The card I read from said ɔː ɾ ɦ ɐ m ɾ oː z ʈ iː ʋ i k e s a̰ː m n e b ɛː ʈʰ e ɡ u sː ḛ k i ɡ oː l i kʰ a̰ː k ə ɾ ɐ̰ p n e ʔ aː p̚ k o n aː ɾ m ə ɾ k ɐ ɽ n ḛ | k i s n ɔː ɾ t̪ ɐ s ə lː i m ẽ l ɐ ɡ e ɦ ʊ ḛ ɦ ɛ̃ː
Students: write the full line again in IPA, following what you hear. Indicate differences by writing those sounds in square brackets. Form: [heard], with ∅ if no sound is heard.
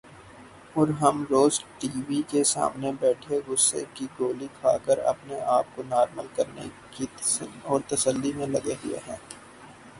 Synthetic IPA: ɔː ɾ ɦ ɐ m ɾ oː z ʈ iː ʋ i k e s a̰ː m n e b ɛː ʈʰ e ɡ [ʊ] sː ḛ k i ɡ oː l i kʰ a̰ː k ə ɾ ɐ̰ p n e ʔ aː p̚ k o n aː ɾ m ə [l] k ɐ [ɾ] n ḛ | k i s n ɔː ɾ t̪ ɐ s ə lː i m ẽ l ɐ ɡ e ɦ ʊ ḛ ɦ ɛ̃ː